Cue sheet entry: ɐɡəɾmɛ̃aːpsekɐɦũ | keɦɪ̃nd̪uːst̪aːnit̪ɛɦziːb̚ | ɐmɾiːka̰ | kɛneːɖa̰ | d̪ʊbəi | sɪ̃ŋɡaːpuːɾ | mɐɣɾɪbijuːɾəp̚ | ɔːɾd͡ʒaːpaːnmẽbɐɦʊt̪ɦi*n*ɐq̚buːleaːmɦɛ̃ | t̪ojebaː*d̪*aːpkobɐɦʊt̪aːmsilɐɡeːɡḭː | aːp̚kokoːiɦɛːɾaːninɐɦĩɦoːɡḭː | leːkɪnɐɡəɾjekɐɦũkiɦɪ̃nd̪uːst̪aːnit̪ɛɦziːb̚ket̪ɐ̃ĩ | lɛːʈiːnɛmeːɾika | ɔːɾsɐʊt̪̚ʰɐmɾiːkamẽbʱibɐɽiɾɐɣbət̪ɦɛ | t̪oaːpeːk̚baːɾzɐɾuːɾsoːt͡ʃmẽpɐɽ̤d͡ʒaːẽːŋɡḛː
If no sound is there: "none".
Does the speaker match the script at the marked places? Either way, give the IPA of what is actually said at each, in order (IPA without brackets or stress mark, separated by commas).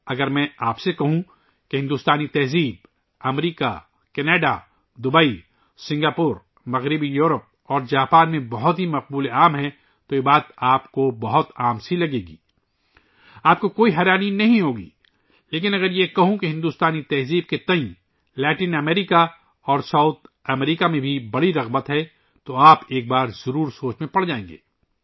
m, t̪